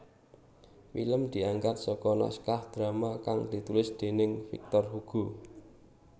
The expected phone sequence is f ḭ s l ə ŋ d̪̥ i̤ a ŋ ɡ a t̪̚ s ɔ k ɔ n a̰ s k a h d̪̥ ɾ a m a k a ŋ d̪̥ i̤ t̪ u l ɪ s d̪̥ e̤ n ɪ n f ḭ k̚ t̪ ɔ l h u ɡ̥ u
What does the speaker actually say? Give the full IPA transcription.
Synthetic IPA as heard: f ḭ l ə m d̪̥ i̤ a ŋ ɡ a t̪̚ s ɔ k ɔ n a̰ s k a h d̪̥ ɾ a m a k a ŋ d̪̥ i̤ t̪ u l ɪ s d̪̥ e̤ n ɪ ŋ f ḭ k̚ t̪ ɔ r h u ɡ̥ u